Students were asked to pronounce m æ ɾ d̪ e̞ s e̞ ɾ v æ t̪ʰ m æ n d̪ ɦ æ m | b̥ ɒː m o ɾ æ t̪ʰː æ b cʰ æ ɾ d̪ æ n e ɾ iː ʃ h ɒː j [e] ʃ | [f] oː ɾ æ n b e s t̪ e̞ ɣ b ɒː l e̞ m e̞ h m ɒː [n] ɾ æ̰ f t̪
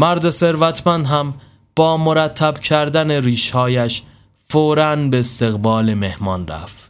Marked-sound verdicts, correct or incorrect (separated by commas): incorrect, correct, correct